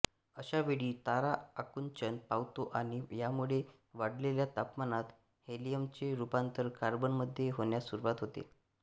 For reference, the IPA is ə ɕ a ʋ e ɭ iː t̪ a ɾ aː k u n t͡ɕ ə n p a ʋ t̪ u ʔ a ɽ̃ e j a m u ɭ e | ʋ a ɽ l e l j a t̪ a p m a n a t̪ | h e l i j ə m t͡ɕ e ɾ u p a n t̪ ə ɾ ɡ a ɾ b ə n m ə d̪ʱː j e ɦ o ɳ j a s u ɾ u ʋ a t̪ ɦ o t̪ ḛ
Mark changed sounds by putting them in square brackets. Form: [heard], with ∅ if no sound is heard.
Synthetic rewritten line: ə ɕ a ʋ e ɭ iː t̪ a ɾ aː k u n t͡ɕ ə n p a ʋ t̪ [o] ʔ a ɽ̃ [i] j a m u ɭ e | ʋ a ɽ l e l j a t̪ a p m a n a t̪ | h e l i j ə m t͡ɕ e ɾ u p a n t̪ ə ɾ [k] a ɾ b ə n m ə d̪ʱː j e ɦ o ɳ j a s u ɾ u ʋ a t̪ ɦ o t̪ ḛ